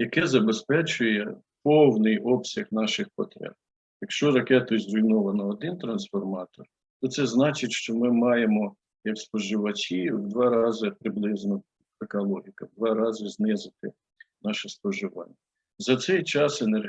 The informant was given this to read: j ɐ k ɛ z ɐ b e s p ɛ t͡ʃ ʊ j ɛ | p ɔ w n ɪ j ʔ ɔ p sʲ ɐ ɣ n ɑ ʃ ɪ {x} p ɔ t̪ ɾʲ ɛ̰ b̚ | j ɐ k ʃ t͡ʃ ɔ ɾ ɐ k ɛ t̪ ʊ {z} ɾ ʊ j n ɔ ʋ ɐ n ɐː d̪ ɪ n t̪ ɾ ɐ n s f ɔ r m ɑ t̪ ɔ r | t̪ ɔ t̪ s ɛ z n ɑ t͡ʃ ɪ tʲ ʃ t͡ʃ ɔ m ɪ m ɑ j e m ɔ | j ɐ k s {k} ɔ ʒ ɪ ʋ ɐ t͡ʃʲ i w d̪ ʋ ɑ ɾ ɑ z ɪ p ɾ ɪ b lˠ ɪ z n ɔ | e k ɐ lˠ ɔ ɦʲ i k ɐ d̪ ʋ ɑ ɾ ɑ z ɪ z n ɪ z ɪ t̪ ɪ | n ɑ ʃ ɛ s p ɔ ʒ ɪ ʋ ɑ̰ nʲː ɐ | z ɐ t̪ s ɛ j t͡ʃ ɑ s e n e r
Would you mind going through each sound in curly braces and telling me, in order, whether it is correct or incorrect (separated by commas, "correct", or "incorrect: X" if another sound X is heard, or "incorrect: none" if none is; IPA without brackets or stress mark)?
correct, correct, incorrect: p